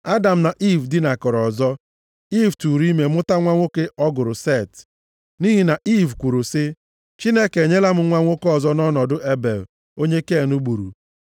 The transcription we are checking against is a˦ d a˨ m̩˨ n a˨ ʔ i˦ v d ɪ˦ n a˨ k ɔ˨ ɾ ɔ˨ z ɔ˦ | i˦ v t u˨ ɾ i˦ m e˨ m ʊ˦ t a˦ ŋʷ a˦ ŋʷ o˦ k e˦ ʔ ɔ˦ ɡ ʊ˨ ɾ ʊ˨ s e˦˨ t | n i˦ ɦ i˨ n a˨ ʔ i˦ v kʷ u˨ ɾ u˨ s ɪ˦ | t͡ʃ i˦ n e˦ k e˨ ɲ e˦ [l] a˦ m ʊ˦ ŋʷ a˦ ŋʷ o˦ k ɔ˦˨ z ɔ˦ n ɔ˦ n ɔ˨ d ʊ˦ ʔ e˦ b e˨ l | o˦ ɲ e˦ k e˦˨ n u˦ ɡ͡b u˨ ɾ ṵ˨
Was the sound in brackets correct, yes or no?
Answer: yes